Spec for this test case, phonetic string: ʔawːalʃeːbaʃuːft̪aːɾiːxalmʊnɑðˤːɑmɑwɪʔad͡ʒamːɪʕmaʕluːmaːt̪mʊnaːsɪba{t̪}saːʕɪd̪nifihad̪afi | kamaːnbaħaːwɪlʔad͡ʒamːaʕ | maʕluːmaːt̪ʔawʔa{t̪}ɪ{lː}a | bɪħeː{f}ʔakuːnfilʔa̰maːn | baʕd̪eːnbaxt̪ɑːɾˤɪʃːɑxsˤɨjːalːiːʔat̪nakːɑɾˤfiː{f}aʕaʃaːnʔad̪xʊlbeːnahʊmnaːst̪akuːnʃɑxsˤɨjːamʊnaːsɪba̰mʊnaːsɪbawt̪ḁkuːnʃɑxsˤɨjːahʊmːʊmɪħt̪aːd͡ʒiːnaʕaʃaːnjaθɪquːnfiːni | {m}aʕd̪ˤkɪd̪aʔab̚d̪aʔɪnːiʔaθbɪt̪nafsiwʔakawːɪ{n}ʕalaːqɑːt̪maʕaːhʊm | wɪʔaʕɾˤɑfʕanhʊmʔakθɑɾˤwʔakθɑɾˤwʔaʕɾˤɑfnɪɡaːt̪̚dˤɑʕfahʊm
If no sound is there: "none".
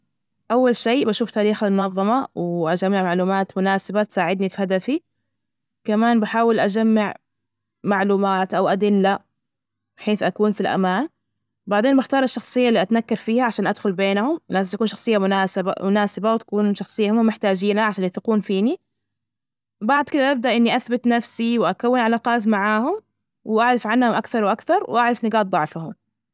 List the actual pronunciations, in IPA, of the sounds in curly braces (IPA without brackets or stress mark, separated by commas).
t̪, d̪, lː, θ, h, b, n